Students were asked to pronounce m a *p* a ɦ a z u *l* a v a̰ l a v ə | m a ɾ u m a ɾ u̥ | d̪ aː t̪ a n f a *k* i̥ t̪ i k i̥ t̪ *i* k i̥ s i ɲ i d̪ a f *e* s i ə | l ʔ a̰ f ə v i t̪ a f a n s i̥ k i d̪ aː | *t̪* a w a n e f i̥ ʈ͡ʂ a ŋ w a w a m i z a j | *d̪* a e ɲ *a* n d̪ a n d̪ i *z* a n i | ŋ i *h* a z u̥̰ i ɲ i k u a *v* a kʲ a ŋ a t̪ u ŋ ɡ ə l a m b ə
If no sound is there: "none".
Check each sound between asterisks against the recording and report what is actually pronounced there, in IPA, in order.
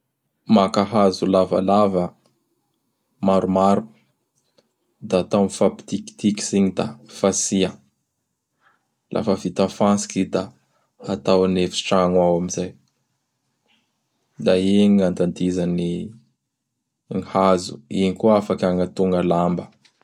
k, l, p, i, a, t̪, d̪, a, z, h, f

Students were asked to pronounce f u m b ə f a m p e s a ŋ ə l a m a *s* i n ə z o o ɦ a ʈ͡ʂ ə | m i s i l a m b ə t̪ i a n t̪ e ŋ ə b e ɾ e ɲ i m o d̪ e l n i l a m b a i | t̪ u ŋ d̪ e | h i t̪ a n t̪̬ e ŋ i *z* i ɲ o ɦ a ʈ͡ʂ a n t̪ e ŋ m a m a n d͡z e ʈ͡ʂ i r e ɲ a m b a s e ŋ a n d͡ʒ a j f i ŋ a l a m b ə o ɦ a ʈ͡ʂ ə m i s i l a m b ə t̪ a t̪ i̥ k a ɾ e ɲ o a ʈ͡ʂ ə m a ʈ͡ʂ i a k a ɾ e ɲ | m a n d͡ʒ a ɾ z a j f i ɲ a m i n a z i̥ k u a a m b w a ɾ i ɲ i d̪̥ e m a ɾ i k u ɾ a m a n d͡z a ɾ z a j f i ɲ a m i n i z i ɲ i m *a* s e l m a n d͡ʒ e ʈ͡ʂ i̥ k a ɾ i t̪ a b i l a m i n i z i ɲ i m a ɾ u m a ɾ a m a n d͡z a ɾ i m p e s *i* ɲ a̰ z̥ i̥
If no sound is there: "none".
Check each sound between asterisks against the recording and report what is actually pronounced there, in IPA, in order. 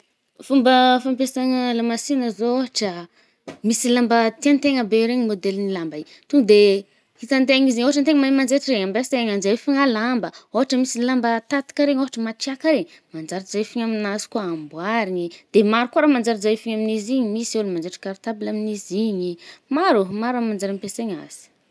s, z, i, e

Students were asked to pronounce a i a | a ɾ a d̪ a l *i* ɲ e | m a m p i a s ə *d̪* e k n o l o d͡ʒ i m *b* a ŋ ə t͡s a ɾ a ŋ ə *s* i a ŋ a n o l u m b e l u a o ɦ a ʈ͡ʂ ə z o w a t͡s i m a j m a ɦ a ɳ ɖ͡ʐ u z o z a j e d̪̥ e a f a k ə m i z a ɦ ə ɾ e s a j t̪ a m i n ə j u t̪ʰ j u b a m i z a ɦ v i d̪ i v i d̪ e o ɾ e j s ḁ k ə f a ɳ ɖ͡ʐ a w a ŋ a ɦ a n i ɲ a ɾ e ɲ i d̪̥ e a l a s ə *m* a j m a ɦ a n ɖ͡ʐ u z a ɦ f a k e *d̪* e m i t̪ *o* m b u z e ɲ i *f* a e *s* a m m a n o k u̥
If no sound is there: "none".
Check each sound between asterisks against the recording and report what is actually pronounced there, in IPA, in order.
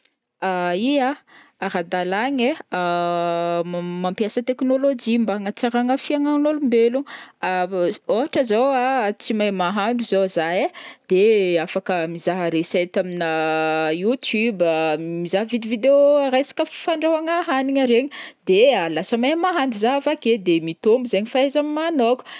a, t̪, b, f, m, d̪, o, f, z

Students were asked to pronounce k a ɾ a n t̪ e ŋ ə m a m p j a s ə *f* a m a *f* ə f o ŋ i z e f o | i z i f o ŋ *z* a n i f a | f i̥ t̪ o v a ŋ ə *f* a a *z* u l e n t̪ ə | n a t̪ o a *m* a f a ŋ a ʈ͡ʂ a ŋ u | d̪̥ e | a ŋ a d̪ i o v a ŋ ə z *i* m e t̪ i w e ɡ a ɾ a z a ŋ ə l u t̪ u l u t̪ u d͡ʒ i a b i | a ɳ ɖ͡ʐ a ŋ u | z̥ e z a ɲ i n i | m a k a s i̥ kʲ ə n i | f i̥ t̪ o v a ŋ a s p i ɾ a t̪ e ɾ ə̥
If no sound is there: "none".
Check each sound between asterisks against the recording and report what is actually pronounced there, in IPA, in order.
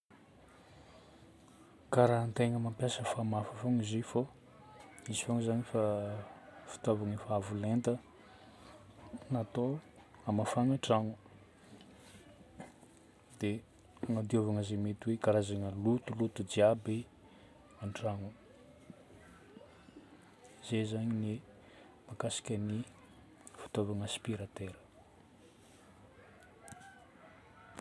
f, f, z, f, v, m, e

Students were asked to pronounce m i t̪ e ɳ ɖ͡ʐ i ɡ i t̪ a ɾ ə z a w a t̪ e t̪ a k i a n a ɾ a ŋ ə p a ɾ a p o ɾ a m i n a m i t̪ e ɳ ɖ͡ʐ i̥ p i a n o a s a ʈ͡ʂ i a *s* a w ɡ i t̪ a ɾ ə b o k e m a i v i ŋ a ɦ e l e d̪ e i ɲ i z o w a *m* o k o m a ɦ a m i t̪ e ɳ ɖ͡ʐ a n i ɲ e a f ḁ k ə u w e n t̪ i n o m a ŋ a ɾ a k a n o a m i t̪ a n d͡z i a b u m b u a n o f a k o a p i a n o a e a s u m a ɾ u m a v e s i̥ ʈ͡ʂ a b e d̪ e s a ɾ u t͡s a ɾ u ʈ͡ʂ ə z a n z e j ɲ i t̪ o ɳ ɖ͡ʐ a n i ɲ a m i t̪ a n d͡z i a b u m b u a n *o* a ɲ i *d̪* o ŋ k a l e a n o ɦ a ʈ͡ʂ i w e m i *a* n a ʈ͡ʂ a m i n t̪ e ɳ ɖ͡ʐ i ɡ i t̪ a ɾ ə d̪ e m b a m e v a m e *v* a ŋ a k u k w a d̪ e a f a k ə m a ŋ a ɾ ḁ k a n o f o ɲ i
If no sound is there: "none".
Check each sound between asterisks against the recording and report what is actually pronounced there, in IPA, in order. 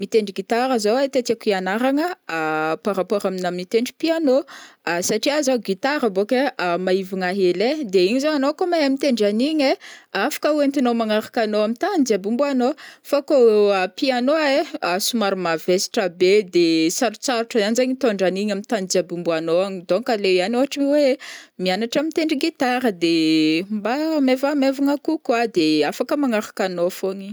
z, n, o, d̪, a, v

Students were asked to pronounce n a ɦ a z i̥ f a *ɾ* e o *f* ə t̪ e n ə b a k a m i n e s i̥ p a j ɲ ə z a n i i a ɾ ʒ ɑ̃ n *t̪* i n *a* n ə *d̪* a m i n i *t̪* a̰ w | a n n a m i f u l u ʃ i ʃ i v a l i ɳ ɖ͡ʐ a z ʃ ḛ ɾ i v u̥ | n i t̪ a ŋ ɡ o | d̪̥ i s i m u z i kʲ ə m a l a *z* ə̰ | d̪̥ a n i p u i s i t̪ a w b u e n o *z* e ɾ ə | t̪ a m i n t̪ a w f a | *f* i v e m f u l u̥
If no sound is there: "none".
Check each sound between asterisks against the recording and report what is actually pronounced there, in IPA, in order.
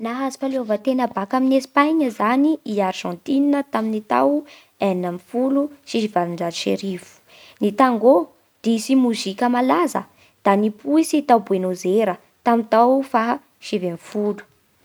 l, v, t̪, i, t̪, t̪, z, z, ʃ

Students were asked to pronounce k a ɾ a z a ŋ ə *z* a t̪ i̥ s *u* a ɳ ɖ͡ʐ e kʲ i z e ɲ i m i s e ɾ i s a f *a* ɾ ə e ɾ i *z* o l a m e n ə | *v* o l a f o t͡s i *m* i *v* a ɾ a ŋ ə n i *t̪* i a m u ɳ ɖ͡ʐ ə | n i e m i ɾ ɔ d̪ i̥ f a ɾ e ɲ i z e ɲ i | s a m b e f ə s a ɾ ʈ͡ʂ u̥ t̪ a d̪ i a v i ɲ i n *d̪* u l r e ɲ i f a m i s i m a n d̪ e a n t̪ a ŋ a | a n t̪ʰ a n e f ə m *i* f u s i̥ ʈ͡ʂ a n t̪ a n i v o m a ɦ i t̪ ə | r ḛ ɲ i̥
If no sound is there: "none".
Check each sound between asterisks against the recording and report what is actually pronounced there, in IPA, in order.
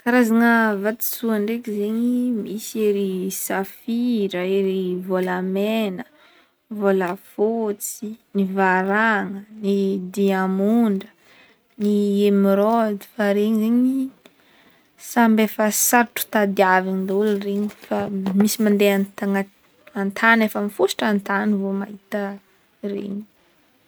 v, u, i, v, v, n, v, d̪, d̪, i

